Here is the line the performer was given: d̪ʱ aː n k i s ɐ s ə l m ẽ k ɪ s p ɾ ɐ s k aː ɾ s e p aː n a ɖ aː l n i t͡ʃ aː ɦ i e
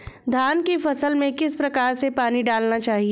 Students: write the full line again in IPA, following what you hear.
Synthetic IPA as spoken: d̪ʱ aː n k i f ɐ s ə l m ẽ k ɪ s p ɾ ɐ k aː ɾ s e p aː n i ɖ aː l n a t͡ʃ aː ɦ i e